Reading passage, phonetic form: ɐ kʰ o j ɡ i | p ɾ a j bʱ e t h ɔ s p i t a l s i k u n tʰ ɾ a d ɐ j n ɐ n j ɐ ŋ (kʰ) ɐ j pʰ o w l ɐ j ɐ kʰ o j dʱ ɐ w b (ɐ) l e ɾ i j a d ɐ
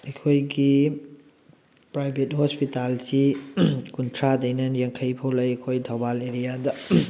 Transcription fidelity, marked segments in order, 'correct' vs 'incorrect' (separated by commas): correct, incorrect